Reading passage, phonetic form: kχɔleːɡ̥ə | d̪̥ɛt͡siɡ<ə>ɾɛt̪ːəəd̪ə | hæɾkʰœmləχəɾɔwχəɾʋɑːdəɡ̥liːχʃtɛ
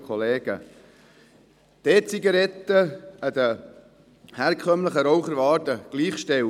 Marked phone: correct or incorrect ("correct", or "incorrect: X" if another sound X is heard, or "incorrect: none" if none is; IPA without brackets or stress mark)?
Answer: incorrect: ɑ